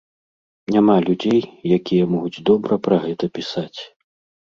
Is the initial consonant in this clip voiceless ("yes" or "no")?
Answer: no